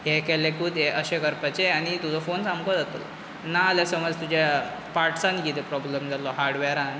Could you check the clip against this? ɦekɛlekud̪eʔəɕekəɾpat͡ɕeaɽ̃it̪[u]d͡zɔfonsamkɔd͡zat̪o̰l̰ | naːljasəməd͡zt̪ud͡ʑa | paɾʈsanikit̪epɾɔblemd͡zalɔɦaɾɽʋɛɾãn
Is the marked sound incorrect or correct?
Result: correct